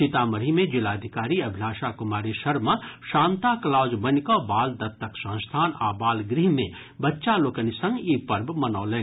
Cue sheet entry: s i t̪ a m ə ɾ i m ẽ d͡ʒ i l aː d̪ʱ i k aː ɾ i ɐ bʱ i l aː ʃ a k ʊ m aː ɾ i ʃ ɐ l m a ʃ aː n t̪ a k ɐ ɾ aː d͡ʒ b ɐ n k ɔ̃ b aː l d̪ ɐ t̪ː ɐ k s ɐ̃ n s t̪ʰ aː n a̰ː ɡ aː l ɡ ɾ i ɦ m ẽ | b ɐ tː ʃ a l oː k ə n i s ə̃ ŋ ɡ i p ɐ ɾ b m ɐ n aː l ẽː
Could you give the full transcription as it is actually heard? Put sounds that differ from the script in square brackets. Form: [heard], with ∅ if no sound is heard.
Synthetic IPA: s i t̪ a m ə ɾ i m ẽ d͡ʒ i l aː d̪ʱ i k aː ɾ i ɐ bʱ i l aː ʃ a k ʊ m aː ɾ i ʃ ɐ [ɾ] m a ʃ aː n t̪ a k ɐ [l] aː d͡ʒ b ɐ n k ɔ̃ b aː l d̪ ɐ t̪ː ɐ k s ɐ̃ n s t̪ʰ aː n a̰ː [b] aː l ɡ ɾ i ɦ m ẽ | b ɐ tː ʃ a l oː k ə n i s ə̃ ŋ ɡ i p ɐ ɾ b m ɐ n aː l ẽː